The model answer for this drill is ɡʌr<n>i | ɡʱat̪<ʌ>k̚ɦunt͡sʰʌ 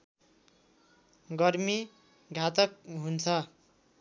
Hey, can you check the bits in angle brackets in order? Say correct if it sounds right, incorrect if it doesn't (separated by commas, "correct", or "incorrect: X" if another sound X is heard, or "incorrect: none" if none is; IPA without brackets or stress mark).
incorrect: m, correct